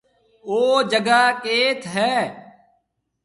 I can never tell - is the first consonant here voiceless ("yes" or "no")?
no